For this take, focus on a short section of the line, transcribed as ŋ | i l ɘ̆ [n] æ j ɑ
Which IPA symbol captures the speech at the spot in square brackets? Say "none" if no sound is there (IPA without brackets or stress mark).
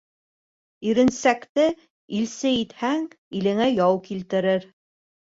ŋ